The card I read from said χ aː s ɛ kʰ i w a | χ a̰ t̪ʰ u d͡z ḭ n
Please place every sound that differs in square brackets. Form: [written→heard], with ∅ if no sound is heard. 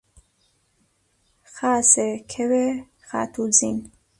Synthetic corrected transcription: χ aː s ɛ kʰ [i→ɛ] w [a→ɛ] | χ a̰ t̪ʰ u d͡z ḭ n